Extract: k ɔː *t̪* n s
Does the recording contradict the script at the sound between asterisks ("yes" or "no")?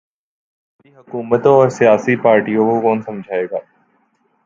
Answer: yes